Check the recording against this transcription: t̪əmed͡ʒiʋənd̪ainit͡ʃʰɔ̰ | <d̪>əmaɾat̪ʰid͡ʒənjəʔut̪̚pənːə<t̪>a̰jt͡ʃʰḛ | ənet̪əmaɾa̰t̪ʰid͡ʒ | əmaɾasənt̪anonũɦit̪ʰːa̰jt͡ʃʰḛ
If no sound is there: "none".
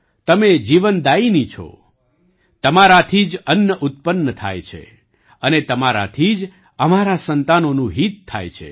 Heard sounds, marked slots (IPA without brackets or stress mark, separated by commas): t̪, t̪ʰ